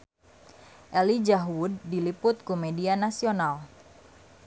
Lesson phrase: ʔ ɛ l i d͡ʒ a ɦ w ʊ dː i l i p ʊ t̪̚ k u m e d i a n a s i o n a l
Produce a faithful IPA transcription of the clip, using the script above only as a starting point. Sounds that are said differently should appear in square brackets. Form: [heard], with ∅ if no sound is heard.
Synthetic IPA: ʔ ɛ l i d͡ʒ a ɦ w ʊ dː i l i p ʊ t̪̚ k u m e d i a n a s i o n a l

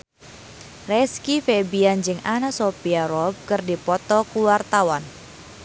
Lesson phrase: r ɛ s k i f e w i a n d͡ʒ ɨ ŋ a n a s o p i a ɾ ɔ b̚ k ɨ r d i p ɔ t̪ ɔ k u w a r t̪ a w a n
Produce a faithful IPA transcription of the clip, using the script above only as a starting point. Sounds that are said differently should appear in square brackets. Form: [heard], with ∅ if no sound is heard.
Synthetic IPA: r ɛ s k i f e [b] i a n d͡ʒ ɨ ŋ a n a s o p i a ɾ ɔ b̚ k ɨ r d i p ɔ t̪ ɔ k u w a r t̪ a w a n

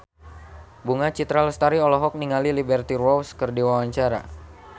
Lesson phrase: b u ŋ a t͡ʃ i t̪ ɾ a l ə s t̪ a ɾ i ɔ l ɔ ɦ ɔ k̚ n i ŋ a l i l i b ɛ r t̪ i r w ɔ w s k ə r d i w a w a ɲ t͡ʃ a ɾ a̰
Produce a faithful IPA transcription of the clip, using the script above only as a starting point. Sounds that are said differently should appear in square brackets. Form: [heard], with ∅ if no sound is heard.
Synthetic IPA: b u ŋ a t͡ʃ i t̪ ɾ a l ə s t̪ a ɾ i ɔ l ɔ ɦ ɔ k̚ n i ŋ a l i l i b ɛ r t̪ i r w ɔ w s k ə r d i w a w a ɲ t͡ʃ a ɾ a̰

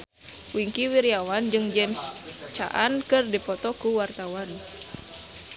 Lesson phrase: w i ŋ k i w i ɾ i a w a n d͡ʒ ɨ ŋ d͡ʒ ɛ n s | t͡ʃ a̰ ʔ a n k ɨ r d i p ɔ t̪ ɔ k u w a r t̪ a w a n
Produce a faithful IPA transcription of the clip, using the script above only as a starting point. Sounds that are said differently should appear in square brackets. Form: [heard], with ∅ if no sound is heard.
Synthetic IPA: w i ŋ k i w i ɾ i a w a n d͡ʒ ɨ ŋ d͡ʒ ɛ [m] s | t͡ʃ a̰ ʔ a n k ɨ r d i p ɔ t̪ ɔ k u w a r t̪ a w a n

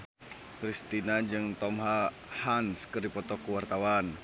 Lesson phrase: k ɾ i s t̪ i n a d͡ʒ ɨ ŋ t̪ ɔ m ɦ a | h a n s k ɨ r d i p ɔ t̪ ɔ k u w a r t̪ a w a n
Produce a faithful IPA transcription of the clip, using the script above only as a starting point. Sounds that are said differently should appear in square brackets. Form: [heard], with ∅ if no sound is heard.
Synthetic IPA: k ɾ i s t̪ i n a d͡ʒ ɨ ŋ t̪ ɔ m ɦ a | h a n s k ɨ r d i p ɔ t̪ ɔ k u w a r t̪ a w a n

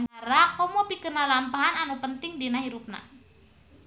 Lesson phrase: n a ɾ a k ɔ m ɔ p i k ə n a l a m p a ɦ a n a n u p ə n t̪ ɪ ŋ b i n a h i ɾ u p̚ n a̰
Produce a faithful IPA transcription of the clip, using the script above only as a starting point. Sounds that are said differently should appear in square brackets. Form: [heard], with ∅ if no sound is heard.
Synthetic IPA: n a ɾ a k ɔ m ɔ p i k ə n a l a m p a ɦ a n a n u p ə n t̪ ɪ ŋ [d] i n a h i ɾ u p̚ n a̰

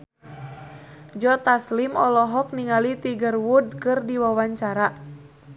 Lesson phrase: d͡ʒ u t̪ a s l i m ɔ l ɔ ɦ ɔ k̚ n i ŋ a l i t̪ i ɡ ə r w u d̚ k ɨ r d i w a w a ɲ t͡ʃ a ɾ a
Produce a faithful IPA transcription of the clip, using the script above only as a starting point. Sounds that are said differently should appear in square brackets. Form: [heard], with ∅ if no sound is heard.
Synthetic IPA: d͡ʒ [ɔ] t̪ a s l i m ɔ l ɔ ɦ ɔ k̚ n i ŋ a l i t̪ i ɡ ə r w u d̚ k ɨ r d i w a w a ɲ t͡ʃ a ɾ a

